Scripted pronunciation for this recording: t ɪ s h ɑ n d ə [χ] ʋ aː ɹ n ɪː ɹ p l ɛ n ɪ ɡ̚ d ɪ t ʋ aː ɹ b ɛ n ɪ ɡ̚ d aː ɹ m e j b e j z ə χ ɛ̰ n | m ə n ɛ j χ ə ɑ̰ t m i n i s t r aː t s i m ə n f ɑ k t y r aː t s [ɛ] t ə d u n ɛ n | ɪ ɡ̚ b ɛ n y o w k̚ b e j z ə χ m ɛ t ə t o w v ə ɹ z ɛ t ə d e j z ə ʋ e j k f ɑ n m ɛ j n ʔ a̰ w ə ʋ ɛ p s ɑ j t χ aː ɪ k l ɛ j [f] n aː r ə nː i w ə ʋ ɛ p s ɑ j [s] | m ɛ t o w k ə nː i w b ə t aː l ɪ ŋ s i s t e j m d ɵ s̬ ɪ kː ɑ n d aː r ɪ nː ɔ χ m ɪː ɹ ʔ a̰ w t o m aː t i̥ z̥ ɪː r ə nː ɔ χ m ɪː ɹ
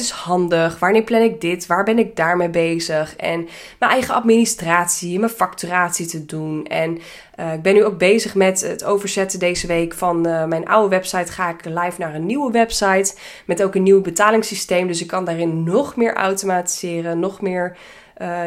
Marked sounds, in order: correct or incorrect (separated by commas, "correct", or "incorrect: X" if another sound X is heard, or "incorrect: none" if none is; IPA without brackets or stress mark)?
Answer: correct, incorrect: i, correct, incorrect: t